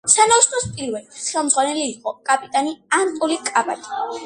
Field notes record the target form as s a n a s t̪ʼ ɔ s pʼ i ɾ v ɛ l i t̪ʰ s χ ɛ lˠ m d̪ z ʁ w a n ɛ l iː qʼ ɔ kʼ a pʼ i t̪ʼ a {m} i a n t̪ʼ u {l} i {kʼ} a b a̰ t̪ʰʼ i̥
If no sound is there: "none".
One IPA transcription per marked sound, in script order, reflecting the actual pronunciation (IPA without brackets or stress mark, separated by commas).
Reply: n, l, kʼ